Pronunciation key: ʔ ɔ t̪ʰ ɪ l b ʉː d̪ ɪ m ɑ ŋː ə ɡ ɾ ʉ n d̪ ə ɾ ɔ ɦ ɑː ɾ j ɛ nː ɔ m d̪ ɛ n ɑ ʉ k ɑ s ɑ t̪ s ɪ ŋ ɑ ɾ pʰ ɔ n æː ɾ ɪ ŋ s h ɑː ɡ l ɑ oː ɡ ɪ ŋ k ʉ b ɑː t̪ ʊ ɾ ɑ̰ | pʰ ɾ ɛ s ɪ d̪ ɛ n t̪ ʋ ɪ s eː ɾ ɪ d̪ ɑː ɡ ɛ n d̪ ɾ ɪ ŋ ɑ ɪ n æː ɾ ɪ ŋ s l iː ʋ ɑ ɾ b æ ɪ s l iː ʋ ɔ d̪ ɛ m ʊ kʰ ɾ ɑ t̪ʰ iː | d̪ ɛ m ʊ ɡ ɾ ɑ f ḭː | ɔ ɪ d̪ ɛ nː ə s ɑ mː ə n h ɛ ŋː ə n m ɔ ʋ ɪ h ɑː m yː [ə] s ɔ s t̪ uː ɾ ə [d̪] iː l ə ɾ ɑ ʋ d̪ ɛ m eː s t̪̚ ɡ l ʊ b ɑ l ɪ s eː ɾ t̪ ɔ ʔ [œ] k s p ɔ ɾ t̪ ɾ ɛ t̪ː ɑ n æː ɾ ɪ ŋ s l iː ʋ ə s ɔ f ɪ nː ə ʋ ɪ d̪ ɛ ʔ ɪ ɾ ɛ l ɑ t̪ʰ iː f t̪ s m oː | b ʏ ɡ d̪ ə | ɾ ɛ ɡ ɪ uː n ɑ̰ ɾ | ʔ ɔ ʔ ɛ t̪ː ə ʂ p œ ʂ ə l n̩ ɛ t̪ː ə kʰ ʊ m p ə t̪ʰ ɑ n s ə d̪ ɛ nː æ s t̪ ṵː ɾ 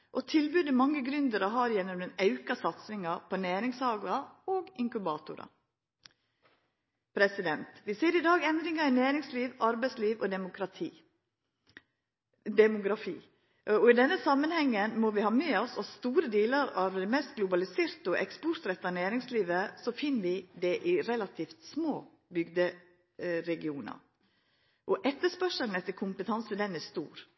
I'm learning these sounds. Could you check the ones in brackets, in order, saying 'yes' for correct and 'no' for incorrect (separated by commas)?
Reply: no, yes, no